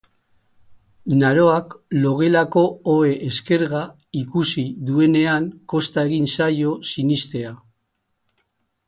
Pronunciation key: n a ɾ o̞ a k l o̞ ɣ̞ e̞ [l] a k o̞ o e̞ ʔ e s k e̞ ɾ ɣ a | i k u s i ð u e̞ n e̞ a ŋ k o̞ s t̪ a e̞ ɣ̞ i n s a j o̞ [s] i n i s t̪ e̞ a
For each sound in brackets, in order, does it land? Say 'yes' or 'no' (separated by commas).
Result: yes, yes